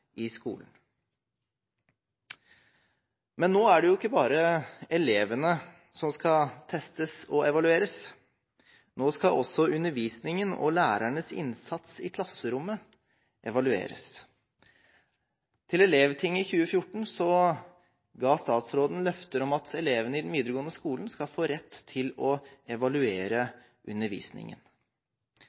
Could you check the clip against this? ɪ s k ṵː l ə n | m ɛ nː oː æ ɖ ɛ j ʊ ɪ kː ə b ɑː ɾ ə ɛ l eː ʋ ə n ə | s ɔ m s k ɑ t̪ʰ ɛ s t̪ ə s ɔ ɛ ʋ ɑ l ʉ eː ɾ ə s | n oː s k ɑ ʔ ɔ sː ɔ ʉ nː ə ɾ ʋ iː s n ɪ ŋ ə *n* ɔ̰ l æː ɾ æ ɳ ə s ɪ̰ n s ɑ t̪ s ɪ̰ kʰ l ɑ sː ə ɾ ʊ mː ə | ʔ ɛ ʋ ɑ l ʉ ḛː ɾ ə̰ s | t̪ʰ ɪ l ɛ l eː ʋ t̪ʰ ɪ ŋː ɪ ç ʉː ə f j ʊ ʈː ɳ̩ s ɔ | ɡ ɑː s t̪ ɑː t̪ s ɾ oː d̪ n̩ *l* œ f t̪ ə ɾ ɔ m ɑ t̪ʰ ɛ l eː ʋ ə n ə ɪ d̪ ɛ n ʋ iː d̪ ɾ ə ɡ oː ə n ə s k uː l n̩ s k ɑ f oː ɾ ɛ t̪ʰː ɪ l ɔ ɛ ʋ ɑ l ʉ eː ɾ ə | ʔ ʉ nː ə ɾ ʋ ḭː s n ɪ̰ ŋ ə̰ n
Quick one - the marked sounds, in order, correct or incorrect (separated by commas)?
correct, correct